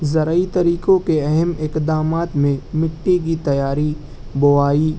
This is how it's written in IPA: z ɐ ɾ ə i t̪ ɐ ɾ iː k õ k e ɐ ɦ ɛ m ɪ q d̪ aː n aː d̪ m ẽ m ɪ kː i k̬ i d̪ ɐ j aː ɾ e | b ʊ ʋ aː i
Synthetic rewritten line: z ɐ ɾ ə i t̪ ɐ ɾ iː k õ k e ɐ ɦ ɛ m ɪ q d̪ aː m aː t̪ m ẽ m ɪ ʈː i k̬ i t̪ ɐ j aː ɾ i | b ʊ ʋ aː i

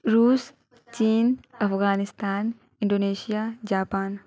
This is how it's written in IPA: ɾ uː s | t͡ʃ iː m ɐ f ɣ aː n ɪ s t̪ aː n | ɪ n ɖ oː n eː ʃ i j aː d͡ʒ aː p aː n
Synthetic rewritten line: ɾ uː s | t͡ʃ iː n ɐ f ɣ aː n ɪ s t̪ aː n | ɪ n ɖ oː n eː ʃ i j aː d͡ʒ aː p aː n

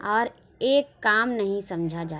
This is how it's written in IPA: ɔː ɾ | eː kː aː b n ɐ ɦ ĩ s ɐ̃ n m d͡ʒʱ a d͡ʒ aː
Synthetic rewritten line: ɔː ɾ | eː kː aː m n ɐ ɦ ĩ s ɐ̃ m d͡ʒʱ a d͡ʒ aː

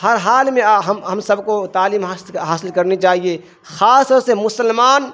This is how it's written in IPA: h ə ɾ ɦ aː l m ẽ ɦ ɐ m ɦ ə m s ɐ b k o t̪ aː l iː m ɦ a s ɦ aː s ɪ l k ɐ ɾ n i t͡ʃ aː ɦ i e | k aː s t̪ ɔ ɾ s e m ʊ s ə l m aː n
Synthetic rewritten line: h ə ɾ ɦ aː l m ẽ ɦ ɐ m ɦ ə m s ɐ b k o t̪ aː l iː m ɦ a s ɦ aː s ɪ l k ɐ ɾ n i t͡ʃ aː ɦ i e | x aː s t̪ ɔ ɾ s e m ʊ s ə l m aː n

